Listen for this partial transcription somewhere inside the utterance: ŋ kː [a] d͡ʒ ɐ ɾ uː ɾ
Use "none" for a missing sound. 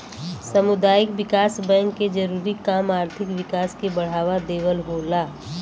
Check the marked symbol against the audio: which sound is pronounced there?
e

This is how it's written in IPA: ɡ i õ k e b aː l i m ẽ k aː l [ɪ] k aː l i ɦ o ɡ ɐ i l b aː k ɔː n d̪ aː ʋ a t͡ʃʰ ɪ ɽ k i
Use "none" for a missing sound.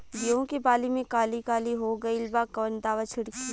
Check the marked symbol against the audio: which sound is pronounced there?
i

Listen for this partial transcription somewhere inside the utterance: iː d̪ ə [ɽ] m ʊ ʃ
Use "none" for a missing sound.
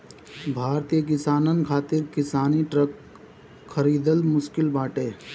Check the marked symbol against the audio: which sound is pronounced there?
l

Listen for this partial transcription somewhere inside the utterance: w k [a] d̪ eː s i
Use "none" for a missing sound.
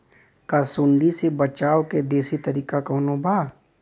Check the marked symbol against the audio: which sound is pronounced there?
e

